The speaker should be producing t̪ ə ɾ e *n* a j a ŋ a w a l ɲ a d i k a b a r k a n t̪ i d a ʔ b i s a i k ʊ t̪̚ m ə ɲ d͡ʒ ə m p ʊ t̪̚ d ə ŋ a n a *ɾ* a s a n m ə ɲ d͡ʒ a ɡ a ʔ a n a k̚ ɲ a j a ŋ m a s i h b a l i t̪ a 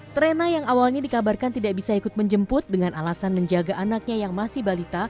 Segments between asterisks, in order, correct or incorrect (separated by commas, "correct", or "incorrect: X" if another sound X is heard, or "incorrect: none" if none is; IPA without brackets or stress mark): correct, incorrect: l